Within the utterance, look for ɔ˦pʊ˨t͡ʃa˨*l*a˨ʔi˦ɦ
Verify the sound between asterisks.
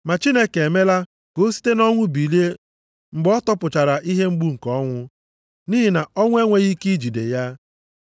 incorrect: ɾ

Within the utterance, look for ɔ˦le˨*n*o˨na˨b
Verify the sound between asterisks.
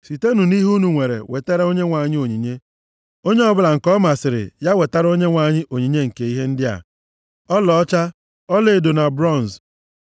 incorrect: d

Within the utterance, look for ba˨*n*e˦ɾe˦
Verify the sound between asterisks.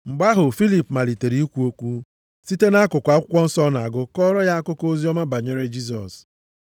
incorrect: ɲ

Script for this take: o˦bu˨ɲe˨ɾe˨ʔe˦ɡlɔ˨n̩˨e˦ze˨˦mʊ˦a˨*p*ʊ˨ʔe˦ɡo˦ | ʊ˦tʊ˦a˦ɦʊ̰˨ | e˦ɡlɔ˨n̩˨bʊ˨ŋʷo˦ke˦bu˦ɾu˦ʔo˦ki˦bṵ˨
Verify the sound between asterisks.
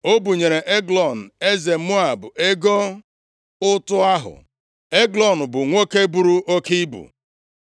incorrect: b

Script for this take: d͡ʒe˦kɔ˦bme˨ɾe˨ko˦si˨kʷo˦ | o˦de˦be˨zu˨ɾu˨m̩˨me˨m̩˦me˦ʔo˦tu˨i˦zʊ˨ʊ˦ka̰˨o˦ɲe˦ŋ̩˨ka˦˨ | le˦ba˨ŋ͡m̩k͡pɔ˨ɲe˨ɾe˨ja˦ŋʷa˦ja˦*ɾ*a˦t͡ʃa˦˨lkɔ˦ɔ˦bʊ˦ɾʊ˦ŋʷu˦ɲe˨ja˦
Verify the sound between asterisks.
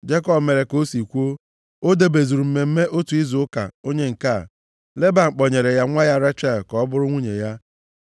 correct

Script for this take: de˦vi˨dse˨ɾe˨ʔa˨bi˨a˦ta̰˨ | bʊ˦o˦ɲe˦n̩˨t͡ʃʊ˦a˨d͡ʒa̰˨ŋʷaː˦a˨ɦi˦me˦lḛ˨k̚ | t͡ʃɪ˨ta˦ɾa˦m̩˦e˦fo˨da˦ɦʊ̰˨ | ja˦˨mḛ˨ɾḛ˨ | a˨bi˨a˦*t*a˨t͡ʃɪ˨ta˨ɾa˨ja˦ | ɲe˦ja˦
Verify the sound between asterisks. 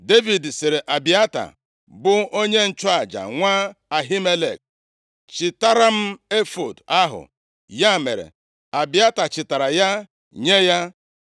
correct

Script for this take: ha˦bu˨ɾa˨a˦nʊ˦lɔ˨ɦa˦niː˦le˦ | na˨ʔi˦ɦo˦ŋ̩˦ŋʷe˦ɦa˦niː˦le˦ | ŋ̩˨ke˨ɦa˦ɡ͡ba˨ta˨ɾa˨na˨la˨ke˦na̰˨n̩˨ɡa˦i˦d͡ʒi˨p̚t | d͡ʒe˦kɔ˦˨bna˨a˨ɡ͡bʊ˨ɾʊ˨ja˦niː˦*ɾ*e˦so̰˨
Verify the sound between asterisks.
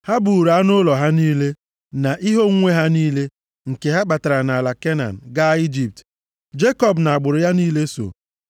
incorrect: l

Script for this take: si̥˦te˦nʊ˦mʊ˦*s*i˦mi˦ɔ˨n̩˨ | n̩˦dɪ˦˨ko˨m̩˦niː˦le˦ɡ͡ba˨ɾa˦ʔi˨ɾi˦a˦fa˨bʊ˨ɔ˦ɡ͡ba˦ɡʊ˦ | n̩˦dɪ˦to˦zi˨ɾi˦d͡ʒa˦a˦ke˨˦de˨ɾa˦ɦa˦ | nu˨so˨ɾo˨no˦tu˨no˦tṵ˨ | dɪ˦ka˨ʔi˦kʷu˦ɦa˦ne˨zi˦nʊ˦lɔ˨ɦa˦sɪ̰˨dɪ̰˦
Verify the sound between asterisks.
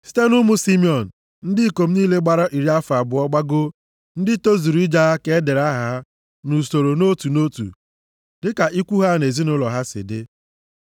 correct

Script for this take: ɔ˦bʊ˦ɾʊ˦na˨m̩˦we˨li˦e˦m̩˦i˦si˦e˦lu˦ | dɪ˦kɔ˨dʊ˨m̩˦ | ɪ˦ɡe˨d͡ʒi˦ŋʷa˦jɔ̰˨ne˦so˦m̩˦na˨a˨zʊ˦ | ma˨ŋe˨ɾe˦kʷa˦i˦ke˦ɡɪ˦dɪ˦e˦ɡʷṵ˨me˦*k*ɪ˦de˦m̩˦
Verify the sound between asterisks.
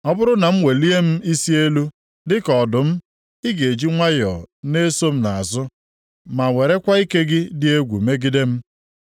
incorrect: ɡ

